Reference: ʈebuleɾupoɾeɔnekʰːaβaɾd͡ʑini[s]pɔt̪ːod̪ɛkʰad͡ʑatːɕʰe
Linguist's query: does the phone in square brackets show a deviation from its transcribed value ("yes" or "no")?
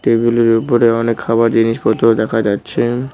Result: yes